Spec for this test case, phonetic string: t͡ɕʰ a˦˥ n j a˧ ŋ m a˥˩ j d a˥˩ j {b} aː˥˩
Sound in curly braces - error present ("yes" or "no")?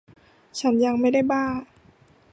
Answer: no